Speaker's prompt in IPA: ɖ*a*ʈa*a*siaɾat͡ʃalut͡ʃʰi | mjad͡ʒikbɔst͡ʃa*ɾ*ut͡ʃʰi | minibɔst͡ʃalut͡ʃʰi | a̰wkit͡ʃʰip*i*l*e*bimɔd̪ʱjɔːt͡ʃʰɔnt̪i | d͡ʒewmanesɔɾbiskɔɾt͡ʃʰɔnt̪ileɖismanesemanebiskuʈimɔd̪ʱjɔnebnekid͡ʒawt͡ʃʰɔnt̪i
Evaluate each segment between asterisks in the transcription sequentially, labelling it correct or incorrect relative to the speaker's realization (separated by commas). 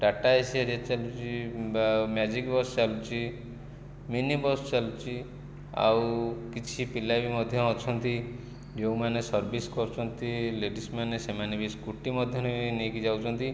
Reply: correct, incorrect, incorrect, correct, incorrect